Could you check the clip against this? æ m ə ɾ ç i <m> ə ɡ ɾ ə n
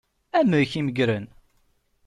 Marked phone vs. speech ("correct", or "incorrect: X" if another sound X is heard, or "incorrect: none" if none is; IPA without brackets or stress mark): correct